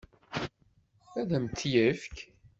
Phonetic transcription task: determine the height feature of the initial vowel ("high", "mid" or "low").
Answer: low